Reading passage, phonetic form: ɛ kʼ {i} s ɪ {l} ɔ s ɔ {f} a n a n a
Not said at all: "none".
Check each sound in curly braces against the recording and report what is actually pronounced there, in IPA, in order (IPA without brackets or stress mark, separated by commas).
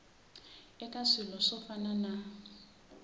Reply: a, l, f